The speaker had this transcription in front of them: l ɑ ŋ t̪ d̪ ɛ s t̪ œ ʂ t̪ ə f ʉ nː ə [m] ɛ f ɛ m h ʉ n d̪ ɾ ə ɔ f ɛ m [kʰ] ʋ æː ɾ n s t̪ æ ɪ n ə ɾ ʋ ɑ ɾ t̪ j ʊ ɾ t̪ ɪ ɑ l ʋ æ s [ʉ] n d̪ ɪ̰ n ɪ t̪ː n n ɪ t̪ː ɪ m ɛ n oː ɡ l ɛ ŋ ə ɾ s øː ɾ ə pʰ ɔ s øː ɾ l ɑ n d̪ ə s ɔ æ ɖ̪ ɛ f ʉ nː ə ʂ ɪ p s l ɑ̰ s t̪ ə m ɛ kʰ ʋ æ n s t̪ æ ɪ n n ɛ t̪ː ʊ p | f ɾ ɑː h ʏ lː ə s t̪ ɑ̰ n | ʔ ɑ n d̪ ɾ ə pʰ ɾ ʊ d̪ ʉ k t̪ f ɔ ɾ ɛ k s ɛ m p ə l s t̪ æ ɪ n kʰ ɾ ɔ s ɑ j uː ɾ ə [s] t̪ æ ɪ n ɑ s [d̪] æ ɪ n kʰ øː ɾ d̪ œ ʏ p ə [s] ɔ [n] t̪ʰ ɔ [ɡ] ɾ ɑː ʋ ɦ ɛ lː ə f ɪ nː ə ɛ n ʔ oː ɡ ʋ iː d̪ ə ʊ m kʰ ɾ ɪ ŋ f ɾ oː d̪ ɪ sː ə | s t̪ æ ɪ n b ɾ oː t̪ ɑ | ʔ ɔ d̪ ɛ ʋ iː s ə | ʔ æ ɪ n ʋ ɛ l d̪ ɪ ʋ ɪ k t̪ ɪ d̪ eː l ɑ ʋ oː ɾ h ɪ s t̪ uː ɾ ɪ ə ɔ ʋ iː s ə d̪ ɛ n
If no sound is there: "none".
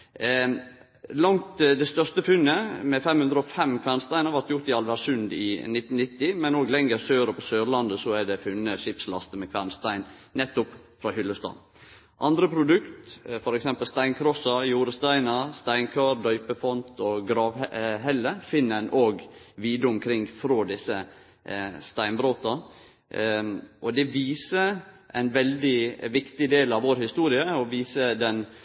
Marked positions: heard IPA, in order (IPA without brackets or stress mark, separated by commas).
m, kʰ, ʉ, s, t̪, f, n, ɡ